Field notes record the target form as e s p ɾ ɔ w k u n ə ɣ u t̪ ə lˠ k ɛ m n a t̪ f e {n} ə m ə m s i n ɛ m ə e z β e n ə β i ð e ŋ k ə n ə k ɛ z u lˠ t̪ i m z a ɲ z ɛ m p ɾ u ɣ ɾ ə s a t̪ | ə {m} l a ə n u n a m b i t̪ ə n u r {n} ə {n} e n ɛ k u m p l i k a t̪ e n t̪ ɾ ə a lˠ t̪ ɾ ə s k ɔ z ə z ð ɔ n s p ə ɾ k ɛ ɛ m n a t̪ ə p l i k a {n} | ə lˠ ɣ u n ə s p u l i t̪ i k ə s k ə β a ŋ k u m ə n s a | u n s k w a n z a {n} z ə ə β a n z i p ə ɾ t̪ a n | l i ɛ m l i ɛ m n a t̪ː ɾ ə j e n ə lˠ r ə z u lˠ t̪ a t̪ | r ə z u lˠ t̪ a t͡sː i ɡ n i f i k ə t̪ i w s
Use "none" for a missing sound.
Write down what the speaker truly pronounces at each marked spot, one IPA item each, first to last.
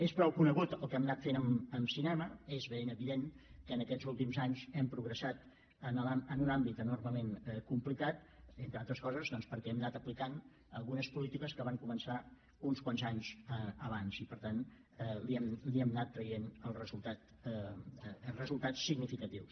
n, n, m, m, n, ɲ

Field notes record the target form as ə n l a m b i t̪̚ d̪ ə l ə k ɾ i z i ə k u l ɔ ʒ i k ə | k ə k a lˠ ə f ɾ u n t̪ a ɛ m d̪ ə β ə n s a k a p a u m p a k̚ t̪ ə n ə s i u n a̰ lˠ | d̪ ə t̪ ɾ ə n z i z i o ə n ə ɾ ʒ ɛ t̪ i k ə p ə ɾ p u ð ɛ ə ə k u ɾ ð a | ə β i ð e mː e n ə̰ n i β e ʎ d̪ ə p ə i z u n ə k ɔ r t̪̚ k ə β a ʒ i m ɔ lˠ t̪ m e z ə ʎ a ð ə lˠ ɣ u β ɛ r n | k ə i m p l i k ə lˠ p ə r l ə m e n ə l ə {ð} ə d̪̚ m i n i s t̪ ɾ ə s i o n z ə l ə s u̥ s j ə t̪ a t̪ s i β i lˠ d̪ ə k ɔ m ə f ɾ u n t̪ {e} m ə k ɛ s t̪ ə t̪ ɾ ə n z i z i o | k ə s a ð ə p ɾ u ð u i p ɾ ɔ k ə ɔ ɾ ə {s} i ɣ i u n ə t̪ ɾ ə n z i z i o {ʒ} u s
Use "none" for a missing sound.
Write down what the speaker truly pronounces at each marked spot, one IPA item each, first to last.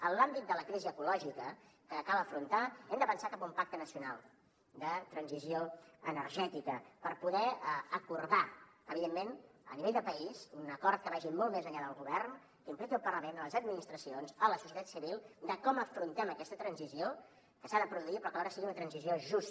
z, ɛ, s, ʒ

